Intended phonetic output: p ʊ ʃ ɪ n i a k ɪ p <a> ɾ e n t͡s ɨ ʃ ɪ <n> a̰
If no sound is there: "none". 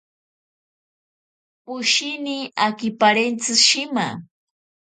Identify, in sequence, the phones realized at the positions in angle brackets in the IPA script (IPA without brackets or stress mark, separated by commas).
a, m